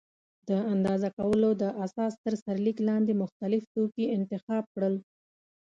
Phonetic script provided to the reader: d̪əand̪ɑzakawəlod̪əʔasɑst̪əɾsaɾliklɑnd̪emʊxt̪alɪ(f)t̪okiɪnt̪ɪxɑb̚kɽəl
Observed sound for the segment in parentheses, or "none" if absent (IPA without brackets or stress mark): f